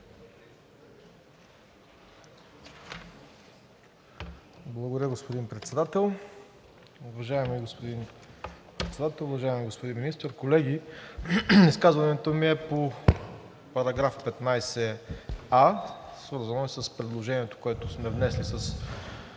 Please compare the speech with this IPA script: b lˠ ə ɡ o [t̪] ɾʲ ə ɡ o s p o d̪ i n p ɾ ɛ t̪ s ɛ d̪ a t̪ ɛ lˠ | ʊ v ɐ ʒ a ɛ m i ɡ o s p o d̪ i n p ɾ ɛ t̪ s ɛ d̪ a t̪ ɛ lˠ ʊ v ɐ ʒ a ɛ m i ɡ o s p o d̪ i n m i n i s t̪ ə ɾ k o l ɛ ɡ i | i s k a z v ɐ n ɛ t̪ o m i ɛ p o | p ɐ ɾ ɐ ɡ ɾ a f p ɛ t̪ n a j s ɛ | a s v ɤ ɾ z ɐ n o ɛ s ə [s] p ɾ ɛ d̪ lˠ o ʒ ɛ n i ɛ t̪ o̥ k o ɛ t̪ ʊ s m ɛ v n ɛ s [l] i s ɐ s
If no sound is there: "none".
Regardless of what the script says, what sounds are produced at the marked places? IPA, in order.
d̪, s, l

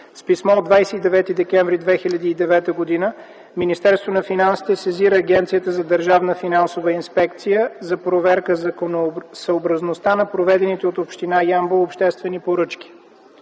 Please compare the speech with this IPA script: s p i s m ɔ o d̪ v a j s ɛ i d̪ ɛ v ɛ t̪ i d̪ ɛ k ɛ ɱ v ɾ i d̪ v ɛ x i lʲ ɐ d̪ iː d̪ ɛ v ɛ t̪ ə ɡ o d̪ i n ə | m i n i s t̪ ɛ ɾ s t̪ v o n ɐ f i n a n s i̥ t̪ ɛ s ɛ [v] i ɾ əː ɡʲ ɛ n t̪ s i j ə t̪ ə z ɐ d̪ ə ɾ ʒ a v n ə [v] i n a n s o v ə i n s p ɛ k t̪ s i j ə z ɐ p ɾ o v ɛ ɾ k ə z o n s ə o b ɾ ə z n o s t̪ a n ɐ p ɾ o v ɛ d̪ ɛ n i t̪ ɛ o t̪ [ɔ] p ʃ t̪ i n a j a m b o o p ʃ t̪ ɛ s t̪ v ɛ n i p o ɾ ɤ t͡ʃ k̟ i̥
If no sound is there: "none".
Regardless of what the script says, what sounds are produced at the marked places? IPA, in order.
z, f, o

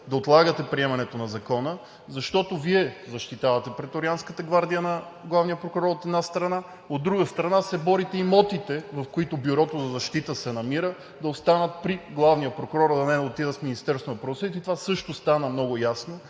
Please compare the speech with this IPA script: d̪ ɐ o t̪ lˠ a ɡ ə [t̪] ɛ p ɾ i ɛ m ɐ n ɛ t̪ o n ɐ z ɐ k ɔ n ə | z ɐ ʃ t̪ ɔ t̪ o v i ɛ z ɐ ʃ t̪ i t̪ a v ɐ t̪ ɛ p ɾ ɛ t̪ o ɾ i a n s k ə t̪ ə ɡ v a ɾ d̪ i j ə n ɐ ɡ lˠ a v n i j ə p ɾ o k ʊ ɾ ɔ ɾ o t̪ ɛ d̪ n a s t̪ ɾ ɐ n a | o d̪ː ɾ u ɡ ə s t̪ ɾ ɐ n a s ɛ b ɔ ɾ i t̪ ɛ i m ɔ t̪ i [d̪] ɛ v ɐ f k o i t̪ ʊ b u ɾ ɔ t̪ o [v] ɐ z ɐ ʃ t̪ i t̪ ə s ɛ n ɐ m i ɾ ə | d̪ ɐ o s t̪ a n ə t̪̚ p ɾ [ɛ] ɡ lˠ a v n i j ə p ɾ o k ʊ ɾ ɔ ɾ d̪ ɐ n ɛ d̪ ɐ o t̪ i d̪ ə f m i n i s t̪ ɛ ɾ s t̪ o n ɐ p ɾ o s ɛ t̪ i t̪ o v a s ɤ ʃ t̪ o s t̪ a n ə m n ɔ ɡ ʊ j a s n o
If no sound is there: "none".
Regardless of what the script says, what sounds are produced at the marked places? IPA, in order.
t̪, t̪, z, i

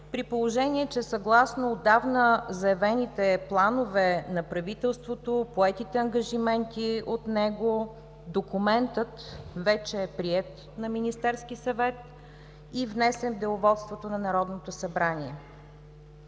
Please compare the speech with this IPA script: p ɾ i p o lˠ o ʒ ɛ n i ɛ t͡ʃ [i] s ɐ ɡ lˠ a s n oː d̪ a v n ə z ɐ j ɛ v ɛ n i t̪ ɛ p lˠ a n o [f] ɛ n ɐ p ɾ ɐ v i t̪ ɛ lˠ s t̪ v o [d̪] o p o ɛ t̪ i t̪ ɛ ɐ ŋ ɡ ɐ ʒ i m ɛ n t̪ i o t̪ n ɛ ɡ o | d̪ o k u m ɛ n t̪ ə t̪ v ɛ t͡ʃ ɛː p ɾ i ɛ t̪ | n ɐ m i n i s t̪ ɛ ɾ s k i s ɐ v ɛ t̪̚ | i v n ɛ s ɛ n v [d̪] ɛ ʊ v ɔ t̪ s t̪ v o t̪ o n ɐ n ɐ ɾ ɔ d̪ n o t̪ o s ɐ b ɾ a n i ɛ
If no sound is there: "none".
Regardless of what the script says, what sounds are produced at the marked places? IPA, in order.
ɛ, v, t̪, d̪

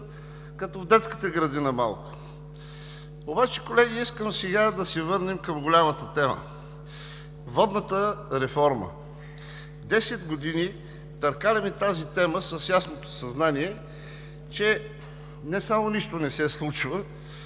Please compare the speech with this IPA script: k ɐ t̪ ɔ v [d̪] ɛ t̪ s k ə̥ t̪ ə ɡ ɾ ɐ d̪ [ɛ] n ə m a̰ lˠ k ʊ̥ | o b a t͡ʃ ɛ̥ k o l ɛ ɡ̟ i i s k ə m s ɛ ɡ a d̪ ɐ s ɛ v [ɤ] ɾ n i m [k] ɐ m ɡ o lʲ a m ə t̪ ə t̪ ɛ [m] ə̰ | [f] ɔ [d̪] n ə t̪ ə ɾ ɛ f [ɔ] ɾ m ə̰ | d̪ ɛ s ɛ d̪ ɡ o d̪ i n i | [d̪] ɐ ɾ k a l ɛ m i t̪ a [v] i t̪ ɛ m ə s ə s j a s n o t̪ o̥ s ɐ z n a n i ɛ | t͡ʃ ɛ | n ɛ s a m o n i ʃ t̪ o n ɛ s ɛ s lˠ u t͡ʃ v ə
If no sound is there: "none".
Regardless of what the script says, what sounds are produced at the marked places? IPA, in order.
d̪, i, ɤ, k, m, v, d̪, ɔ, t̪, z

